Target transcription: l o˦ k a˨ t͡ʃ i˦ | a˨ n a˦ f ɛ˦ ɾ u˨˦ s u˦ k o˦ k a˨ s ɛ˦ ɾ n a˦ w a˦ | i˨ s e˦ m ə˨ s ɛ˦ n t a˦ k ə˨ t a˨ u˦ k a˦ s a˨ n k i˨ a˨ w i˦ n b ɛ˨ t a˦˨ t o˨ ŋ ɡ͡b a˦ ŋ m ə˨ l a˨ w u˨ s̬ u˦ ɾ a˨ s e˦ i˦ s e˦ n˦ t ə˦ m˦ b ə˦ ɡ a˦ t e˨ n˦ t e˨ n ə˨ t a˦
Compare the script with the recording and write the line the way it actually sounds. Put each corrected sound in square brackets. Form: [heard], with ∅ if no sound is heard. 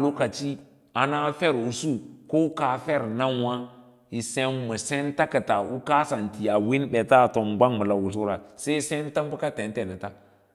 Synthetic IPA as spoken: l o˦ k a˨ t͡ʃ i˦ | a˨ n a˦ f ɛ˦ ɾ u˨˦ s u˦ k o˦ k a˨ [f] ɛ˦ ɾ n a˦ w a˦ | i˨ s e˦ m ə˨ s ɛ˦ n t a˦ k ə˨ t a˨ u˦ k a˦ s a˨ n [t] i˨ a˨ w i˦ n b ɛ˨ t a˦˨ t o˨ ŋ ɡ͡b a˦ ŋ m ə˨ l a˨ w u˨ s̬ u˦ ɾ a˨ s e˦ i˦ s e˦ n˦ t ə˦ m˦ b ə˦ [k] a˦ t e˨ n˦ t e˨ n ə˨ t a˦